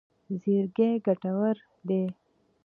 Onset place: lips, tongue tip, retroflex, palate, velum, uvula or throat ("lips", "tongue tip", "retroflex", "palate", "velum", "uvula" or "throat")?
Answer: tongue tip